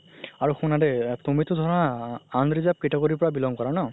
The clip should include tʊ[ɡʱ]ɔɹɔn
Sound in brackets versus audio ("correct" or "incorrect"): incorrect